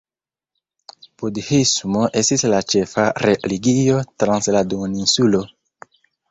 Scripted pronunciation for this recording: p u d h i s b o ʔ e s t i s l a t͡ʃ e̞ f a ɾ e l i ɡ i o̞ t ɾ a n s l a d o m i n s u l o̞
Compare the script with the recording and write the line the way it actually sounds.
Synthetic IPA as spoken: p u d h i s m o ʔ e s t i s l a t͡ʃ e̞ f a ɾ e l i ɡ i o̞ t ɾ a n s l a d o n i n s u l o̞